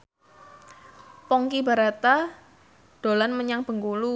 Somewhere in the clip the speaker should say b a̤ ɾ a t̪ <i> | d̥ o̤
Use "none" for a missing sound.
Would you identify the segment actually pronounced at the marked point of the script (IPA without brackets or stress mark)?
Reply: a